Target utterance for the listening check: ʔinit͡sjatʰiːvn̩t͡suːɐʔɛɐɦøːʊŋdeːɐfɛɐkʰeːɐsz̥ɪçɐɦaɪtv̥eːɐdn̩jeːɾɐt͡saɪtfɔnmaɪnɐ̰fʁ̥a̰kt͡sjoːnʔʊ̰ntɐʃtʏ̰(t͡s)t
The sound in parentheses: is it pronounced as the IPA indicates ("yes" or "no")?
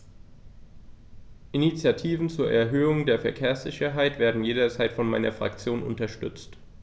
yes